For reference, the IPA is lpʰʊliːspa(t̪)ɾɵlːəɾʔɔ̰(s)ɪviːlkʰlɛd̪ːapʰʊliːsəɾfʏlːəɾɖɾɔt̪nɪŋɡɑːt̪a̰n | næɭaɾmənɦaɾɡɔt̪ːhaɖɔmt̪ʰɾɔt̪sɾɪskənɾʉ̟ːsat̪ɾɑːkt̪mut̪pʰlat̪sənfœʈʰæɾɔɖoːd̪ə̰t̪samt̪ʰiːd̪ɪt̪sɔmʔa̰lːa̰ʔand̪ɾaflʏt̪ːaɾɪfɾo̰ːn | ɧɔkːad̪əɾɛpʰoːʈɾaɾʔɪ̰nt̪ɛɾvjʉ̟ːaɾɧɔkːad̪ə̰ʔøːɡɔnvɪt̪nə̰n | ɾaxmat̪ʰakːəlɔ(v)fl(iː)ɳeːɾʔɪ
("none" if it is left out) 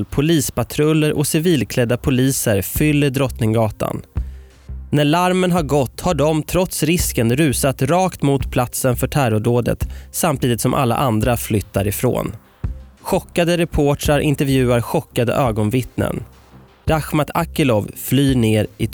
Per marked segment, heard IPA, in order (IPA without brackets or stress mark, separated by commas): t̪ʰ, s, v, yː